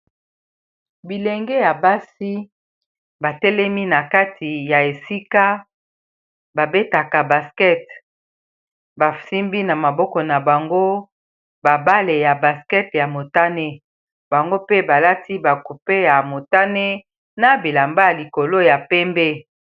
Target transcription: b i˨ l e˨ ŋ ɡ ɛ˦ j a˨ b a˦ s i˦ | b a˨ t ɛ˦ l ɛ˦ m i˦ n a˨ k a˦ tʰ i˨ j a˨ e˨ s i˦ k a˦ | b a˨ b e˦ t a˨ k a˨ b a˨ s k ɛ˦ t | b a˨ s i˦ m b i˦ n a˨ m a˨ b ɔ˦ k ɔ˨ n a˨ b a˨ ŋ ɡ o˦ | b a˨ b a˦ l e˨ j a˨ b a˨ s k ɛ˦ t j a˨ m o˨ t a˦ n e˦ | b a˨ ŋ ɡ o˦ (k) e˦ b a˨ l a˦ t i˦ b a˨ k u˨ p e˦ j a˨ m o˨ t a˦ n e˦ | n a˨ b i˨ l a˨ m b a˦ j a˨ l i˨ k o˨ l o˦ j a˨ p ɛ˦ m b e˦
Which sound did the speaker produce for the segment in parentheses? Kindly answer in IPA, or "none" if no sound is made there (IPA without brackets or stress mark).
p